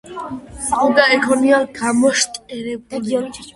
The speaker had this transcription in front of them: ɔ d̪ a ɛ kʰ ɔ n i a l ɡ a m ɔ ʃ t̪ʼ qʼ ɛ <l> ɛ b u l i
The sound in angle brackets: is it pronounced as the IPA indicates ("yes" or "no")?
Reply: no